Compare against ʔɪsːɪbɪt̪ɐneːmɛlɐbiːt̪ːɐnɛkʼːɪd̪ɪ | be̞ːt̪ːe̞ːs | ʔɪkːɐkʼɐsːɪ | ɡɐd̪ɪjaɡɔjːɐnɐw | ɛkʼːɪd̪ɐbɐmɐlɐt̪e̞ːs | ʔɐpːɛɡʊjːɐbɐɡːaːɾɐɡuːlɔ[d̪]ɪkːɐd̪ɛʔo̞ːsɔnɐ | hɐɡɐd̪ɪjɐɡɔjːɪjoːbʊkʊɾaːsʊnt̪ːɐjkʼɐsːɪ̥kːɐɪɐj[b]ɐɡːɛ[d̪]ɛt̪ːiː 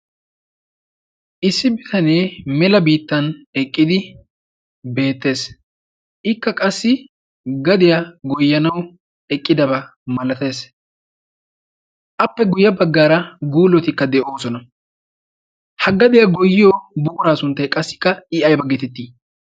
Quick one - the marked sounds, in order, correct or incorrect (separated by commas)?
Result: incorrect, correct, incorrect